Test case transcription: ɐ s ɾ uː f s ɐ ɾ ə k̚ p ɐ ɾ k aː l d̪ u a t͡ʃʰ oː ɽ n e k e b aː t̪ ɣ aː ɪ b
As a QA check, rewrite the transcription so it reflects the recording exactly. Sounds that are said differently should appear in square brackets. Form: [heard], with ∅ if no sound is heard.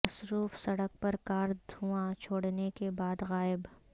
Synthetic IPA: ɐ s ɾ uː f s ɐ [ɽ] ə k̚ p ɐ ɾ k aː [ɾ] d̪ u a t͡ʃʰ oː ɽ n e k e b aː [d̪] ɣ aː ɪ b